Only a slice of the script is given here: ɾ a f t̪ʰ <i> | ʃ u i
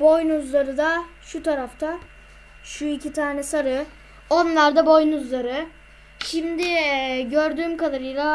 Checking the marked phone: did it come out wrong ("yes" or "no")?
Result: yes